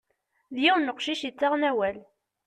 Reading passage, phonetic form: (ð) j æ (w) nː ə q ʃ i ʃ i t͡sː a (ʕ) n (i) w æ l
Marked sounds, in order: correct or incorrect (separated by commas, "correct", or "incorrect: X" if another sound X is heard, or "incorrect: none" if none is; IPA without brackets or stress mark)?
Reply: correct, correct, incorrect: ʁ, incorrect: æ